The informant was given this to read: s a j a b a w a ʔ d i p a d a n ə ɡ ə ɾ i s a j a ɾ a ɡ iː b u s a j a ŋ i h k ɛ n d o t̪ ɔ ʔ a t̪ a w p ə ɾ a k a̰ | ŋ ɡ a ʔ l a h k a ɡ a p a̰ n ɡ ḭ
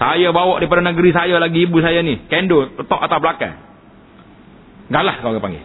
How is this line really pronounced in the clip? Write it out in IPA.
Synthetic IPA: s a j a b a w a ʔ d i p a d a n ə ɡ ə ɾ i s a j a l a ɡ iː b u s a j a n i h k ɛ n d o t̪ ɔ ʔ a t̪ a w p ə l a k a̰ | ŋ ɡ a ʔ l a h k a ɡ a p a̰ ŋ ɡ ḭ